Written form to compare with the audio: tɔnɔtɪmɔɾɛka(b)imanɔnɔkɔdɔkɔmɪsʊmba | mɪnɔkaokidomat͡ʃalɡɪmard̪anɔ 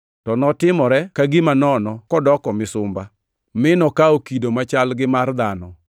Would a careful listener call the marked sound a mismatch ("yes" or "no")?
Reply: yes